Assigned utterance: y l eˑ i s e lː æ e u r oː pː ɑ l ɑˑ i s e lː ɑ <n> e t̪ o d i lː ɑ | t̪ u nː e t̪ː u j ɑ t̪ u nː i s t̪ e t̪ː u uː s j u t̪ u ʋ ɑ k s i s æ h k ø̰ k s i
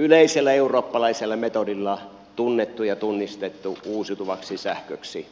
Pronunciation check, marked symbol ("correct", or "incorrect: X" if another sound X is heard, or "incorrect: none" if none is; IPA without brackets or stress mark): incorrect: m